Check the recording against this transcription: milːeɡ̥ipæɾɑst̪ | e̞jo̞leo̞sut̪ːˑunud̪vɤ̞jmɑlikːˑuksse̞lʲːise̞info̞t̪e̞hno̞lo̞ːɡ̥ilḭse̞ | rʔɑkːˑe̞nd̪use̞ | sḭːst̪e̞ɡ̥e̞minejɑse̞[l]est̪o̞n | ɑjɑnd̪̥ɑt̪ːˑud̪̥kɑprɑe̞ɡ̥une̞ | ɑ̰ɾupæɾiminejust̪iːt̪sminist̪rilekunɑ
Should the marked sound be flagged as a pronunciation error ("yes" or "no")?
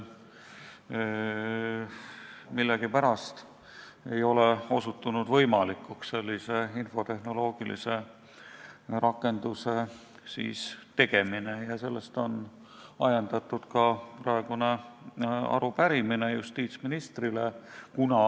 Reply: yes